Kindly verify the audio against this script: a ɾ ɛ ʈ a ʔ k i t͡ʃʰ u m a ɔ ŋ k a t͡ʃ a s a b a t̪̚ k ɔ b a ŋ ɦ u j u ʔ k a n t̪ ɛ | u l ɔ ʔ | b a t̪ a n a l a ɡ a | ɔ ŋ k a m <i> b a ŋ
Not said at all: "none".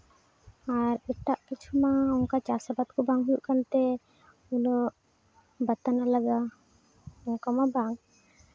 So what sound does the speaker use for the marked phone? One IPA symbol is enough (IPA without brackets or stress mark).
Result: a